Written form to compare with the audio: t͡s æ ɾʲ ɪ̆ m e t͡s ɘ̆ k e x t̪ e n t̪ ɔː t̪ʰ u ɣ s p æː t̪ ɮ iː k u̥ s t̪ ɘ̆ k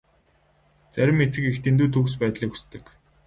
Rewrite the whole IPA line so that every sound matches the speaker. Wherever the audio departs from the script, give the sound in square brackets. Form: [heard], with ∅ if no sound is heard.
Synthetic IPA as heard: t͡s æ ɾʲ ɪ̆ m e t͡s ɘ̆ k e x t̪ e n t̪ [uː] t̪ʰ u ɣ s p æː t̪ ɮ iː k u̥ s t̪ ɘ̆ k